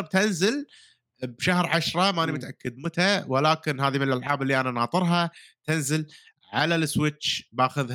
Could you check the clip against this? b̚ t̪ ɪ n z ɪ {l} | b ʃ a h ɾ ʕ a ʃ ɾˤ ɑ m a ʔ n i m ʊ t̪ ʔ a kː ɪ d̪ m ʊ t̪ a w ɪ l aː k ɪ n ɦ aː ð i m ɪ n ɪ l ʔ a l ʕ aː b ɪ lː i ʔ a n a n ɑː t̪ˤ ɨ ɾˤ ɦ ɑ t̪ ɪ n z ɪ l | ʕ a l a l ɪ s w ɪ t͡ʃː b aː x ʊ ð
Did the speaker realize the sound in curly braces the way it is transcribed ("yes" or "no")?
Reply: yes